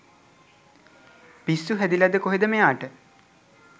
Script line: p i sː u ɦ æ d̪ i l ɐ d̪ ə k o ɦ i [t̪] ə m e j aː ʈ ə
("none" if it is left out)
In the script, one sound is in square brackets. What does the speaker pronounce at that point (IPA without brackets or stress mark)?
d̪